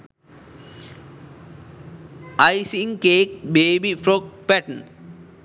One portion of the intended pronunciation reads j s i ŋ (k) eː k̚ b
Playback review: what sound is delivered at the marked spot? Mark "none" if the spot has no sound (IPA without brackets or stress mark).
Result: k